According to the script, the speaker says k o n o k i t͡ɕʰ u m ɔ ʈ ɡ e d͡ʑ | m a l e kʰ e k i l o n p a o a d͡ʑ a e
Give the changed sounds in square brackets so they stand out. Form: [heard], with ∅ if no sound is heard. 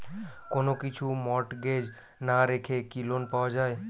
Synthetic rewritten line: k o n o k i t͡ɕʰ u m ɔ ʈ ɡ e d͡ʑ | [n] a [ɾ] e kʰ e k i l o n p a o a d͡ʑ a e